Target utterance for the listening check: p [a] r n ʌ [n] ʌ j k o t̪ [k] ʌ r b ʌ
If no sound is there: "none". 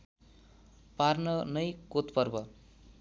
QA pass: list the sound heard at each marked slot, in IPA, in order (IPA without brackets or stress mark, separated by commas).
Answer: a, n, p